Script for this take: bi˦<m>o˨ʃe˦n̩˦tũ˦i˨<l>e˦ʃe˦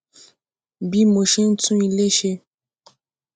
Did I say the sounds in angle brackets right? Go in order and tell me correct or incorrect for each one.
correct, correct

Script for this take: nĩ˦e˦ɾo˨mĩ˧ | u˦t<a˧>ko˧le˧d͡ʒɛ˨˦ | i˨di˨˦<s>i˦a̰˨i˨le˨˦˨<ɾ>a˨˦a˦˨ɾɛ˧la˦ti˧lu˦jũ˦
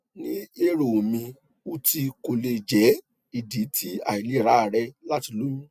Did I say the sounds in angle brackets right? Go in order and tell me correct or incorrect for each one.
incorrect, incorrect, correct

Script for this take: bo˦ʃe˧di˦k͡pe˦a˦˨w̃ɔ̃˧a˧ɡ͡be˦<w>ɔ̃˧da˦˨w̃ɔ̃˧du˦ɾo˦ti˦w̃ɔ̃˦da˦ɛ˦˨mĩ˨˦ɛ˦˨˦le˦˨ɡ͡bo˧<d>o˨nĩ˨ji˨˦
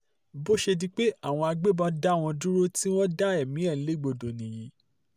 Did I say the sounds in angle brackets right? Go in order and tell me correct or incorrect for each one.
incorrect, correct

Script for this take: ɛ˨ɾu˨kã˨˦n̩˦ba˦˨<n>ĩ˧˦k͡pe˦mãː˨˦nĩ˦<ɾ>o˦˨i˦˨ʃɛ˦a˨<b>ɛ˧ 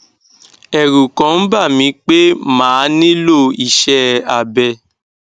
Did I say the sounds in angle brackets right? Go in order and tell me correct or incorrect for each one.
incorrect, incorrect, correct

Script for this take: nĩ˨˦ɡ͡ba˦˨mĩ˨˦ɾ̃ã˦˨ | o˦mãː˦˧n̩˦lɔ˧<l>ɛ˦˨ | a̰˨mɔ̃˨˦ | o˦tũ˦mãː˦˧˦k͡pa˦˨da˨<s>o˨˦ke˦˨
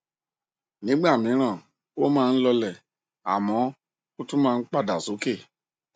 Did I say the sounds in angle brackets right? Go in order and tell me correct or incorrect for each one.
correct, correct

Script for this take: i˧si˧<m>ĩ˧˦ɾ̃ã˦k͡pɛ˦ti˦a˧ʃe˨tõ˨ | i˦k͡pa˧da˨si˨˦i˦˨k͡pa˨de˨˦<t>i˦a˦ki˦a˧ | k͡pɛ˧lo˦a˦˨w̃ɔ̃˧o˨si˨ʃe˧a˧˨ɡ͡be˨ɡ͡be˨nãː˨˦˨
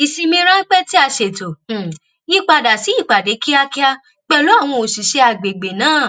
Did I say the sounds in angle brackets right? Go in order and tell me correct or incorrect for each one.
correct, incorrect

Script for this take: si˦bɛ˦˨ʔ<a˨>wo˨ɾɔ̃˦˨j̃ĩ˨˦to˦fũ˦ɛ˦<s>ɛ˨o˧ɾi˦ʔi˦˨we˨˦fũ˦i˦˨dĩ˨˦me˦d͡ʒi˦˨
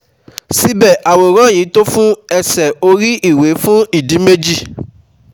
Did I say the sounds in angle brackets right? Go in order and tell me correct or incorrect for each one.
correct, correct

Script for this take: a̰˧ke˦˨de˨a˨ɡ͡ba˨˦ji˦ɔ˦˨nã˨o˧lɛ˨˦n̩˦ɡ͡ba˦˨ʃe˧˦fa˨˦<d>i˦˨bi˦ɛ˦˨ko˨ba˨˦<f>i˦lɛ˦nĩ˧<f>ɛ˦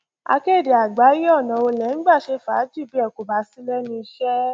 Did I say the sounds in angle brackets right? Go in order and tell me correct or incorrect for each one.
incorrect, incorrect, incorrect

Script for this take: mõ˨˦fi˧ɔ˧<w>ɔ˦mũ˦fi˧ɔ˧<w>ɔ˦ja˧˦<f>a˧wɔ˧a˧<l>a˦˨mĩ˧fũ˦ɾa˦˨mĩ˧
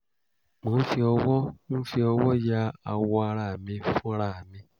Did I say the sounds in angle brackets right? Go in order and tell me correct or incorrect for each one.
correct, correct, incorrect, incorrect

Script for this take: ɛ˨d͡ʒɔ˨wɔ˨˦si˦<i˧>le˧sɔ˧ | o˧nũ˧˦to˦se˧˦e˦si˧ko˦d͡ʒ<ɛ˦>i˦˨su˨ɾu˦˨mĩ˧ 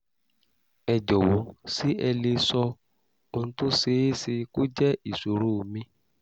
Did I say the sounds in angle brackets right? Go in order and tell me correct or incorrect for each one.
incorrect, correct

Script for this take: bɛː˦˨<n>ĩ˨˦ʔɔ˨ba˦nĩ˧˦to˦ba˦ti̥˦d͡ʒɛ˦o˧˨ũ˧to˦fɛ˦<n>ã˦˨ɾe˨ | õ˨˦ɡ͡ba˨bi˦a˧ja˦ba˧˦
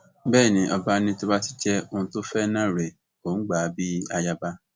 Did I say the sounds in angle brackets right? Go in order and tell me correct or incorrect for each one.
correct, correct

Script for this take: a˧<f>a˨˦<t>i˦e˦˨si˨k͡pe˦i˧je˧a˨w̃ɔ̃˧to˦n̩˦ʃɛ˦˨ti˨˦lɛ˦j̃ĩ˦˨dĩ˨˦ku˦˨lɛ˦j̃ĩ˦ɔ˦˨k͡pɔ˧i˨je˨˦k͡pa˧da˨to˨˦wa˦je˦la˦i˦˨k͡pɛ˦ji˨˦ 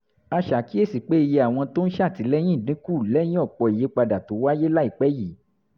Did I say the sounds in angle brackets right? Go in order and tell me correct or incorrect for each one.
incorrect, incorrect

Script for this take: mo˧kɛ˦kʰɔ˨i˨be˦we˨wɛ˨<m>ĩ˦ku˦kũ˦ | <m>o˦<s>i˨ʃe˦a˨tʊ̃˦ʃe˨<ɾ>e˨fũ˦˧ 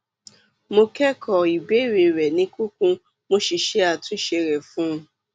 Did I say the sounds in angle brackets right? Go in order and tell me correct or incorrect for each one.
incorrect, correct, incorrect, correct

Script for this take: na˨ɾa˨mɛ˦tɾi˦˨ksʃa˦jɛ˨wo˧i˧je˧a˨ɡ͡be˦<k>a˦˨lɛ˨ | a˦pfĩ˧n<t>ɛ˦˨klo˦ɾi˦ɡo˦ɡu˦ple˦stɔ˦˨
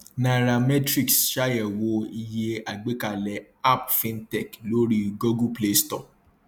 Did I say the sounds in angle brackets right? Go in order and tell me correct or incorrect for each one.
correct, correct

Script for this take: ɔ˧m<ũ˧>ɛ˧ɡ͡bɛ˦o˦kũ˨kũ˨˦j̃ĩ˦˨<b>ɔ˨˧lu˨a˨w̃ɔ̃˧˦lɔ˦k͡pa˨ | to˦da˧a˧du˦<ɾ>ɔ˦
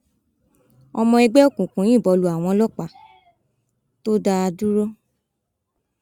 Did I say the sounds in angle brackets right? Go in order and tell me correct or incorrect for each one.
incorrect, correct, correct

